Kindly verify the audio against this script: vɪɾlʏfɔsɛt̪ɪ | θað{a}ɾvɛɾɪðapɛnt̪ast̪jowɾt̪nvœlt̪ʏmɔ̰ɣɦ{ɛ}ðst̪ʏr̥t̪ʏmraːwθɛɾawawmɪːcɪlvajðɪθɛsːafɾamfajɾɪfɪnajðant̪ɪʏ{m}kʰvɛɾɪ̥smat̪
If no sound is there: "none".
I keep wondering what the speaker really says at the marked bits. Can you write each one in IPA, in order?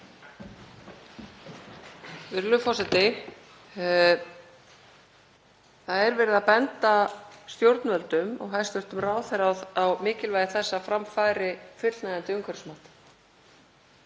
ɛ, a, ŋ

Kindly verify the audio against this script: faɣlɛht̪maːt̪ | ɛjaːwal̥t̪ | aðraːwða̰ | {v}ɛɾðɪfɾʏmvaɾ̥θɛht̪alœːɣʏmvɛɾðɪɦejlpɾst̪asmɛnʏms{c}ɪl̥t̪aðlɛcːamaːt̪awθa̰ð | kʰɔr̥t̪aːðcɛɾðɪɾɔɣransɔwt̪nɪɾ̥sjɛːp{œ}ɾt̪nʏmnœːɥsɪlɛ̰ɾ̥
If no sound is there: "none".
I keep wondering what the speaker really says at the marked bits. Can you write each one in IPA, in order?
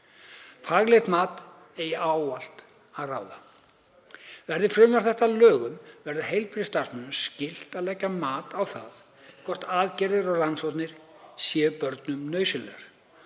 v, c, œ

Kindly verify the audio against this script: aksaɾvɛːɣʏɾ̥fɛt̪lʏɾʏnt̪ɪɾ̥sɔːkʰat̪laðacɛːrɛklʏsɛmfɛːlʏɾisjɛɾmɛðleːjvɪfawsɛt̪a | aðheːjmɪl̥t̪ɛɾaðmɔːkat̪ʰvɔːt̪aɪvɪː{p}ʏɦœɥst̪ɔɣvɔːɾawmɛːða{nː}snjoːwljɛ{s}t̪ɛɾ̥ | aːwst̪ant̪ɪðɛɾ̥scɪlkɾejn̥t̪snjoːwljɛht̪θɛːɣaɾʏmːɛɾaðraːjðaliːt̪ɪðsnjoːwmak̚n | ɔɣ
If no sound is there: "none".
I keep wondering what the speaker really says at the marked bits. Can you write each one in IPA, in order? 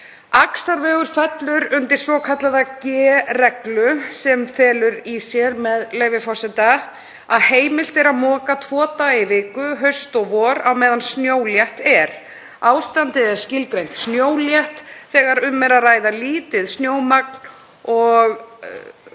k, n, h

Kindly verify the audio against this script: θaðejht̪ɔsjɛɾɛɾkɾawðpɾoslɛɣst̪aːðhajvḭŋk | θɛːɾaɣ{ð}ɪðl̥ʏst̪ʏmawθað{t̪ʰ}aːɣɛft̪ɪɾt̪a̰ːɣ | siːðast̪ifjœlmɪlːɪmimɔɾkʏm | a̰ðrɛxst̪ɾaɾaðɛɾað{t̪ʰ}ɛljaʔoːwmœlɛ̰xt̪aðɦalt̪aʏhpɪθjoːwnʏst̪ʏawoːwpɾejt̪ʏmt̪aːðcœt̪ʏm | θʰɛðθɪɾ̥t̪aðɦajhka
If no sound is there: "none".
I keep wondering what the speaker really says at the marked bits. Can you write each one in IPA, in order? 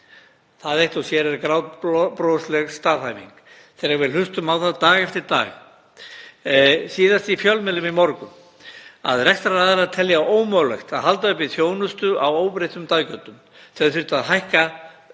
v, t̪, t̪ʰ

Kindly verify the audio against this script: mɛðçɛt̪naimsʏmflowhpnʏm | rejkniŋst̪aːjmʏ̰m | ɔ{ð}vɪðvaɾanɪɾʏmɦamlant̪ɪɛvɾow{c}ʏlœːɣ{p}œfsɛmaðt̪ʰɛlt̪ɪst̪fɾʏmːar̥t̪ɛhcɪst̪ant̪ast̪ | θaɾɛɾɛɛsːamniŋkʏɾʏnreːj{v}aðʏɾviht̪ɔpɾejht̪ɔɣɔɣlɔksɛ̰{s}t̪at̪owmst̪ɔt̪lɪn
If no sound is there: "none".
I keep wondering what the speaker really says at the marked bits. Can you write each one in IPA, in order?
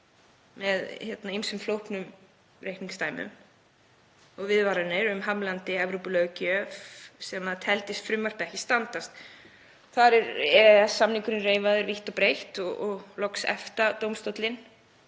ɣ, p, c, v, f

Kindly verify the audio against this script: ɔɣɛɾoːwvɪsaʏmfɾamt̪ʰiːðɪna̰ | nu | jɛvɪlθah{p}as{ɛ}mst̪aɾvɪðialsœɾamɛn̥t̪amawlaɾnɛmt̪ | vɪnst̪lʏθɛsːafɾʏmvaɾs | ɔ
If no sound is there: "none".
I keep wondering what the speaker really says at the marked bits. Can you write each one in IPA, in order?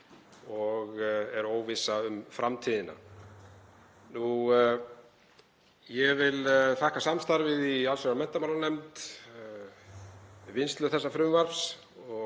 k, a

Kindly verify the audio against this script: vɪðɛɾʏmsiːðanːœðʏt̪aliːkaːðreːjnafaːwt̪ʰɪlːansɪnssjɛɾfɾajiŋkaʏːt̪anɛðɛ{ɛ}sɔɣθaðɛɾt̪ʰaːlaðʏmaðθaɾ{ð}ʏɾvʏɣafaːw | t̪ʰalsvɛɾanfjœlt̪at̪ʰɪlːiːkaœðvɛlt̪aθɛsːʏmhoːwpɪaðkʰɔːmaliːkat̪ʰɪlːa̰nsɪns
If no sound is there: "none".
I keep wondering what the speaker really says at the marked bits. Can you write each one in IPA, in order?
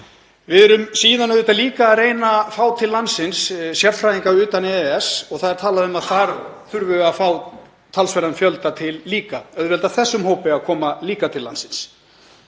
ɛ, θ

